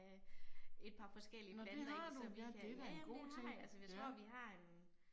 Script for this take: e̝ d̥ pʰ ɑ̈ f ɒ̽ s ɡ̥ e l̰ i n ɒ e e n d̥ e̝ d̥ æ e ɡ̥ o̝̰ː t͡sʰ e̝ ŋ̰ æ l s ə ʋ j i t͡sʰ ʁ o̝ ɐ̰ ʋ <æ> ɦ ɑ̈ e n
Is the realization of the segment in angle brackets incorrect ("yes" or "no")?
yes